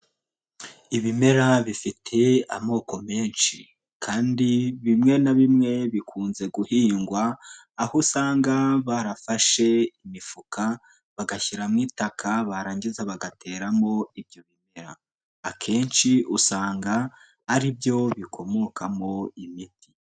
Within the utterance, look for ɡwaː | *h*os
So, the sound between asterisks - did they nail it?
yes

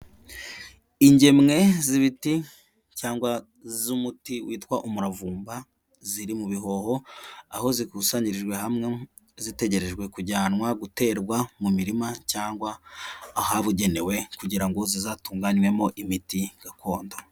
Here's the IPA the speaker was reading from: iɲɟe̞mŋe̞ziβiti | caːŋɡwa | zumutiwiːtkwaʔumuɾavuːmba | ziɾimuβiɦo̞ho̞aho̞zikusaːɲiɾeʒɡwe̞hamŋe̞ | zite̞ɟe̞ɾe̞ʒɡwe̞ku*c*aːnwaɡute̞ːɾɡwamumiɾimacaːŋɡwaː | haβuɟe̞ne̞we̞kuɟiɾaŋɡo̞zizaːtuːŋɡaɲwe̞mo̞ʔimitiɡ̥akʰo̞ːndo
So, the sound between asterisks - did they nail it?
no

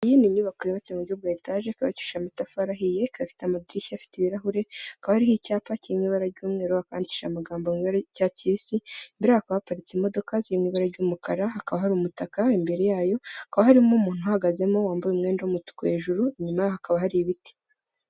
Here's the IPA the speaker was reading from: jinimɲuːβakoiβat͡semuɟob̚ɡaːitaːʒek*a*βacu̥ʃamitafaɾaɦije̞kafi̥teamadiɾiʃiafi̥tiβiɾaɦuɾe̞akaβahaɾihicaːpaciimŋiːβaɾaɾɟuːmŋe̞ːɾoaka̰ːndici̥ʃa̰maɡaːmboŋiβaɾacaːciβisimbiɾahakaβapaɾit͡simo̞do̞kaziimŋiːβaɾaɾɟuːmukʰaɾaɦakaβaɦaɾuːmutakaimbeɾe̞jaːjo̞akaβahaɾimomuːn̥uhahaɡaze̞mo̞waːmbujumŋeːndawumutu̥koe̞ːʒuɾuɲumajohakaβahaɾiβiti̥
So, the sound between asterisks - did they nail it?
yes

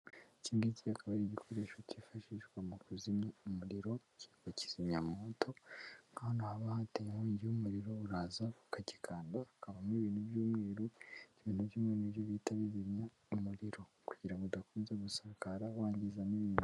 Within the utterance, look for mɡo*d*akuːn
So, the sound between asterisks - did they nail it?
yes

